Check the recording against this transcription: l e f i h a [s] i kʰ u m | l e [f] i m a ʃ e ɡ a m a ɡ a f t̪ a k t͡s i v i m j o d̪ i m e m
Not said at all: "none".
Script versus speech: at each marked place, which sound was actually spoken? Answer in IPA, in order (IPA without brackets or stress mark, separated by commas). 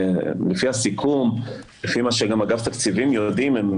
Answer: s, f